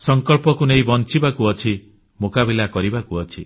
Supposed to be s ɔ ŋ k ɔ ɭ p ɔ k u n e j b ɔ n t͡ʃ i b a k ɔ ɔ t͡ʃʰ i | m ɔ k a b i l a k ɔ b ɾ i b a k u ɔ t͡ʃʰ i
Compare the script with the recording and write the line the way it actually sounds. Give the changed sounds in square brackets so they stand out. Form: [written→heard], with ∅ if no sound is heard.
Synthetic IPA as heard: s ɔ ŋ k ɔ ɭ p ɔ k u n e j b ɔ n t͡ʃ i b a k [ɔ→u] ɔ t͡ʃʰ i | m [ɔ→o] k a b i l a k ɔ [b→∅] ɾ i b a k u ɔ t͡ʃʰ i